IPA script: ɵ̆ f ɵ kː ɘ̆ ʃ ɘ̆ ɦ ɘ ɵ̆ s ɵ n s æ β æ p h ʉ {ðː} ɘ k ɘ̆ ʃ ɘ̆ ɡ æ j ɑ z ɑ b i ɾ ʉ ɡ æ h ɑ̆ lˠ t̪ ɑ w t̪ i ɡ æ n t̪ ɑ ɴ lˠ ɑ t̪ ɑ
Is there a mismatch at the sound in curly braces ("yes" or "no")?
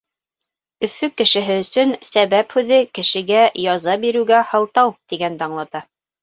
yes